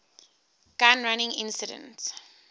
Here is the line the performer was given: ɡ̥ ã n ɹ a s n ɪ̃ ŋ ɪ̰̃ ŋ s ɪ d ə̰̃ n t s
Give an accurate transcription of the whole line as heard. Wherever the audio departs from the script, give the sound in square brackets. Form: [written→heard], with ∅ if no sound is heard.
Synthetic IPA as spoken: ɡ̥ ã n ɹ a [s→∅] n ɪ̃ ŋ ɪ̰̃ [ŋ→n] s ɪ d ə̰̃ n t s